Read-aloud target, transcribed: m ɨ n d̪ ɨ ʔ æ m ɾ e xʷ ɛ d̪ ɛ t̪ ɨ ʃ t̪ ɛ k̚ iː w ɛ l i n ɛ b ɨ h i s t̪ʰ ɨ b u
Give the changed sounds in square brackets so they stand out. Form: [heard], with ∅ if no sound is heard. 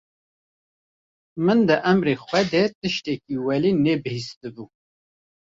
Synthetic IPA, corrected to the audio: m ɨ n d̪ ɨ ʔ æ m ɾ e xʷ ɛ d̪ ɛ t̪ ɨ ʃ t̪ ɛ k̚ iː w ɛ l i n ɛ b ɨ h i s [t̪] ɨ b u